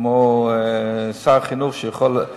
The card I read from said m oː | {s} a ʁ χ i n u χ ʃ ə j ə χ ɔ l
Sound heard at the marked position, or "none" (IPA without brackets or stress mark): s